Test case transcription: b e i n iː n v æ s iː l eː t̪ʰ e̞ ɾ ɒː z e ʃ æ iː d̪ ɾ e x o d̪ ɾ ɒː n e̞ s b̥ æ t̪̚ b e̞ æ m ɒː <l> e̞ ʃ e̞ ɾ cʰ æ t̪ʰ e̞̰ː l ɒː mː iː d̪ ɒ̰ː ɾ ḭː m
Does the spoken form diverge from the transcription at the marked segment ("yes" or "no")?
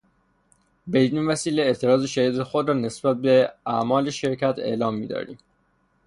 no